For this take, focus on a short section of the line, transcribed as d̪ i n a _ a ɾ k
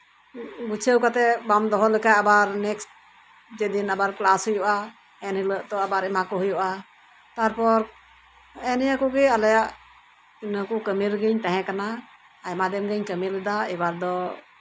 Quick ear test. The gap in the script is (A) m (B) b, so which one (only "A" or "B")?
B